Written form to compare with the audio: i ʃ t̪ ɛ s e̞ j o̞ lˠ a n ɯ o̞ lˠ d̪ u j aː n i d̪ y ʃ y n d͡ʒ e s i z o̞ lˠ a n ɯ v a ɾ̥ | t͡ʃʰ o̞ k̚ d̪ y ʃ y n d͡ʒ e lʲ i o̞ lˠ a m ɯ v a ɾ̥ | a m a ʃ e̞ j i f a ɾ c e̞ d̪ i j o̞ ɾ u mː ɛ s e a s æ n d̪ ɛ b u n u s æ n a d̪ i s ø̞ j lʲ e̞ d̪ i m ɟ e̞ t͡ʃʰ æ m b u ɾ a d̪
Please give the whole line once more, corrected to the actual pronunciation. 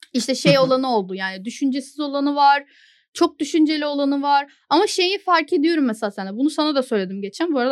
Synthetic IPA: i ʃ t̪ ɛ ʃ e̞ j o̞ lˠ a n ɯ o̞ lˠ d̪ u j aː n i d̪ y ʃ y n d͡ʒ e s i z o̞ lˠ a n ɯ v a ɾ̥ | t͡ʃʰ o̞ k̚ d̪ y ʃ y n d͡ʒ e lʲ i o̞ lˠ a n ɯ v a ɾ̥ | a m a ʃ e̞ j i f a ɾ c e̞ d̪ i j o̞ ɾ u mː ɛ s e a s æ n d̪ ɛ b u n u s a n a d̪ a s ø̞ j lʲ e̞ d̪ i m ɟ e̞ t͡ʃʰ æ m b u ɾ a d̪